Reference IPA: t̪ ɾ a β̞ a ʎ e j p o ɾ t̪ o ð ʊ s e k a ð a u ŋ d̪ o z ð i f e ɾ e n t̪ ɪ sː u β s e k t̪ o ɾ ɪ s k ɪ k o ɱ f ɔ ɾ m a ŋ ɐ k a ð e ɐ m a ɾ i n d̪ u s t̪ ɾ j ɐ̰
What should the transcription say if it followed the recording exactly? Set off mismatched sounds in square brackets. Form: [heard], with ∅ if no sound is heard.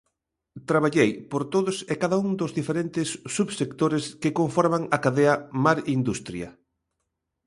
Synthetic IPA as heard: t̪ ɾ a β̞ a ʎ e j p o ɾ t̪ o ð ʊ s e k a ð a u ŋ d̪ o z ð i f e ɾ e n t̪ ɪ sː u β s e k t̪ o ɾ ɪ s k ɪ k o ɱ f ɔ ɾ m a ŋ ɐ k a ð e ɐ m a ɾ i n d̪ u s t̪ ɾ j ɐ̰